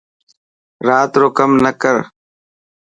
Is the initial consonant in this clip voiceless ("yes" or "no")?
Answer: no